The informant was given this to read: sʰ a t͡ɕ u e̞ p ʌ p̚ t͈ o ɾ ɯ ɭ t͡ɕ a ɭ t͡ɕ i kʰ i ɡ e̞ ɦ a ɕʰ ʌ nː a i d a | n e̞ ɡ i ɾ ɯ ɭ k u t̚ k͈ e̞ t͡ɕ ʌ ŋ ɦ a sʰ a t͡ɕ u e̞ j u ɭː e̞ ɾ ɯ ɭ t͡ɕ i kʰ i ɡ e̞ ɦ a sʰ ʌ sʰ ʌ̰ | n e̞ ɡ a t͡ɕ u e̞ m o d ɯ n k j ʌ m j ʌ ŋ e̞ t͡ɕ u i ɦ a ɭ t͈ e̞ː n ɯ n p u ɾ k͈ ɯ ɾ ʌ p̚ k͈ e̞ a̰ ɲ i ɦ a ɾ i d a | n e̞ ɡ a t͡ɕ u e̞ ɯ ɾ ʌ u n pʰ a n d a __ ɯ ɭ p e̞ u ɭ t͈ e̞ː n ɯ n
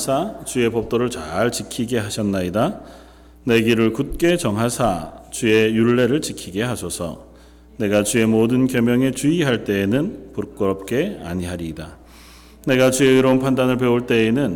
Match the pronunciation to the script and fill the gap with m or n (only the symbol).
n